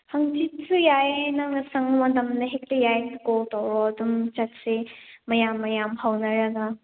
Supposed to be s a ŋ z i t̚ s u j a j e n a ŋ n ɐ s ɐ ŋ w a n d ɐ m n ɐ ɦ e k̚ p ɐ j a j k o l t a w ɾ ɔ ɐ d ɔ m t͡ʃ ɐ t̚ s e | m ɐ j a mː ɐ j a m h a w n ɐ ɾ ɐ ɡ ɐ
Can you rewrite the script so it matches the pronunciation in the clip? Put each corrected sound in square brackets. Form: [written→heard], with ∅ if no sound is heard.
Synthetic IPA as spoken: [s→h] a ŋ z i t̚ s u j a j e n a ŋ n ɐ s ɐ ŋ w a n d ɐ m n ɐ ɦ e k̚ [p→t] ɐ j a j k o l t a w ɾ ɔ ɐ d [ɔ→u] m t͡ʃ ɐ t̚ s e | m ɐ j a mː ɐ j a m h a w n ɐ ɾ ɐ ɡ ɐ

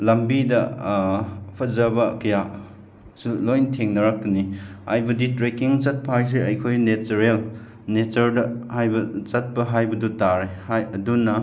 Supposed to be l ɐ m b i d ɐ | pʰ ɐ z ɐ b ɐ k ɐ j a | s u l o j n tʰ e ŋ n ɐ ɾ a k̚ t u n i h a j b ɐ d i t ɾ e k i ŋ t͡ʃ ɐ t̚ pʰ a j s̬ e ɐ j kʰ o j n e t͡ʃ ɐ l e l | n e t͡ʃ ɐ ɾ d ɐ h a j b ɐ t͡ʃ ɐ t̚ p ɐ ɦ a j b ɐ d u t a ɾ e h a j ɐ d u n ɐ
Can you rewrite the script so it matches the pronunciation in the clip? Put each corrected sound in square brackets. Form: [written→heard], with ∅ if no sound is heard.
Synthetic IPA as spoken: l ɐ m b i d ɐ | pʰ ɐ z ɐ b ɐ k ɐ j a | s u l o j n tʰ e ŋ n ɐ ɾ a k̚ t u n i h a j b ɐ d i t ɾ e k i ŋ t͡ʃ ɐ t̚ pʰ a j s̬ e ɐ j kʰ o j n e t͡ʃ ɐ [l→ɾ] e l | n e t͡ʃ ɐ ɾ d ɐ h a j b ɐ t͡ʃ ɐ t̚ p ɐ ɦ a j b ɐ d u t a ɾ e h a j ɐ d u n ɐ

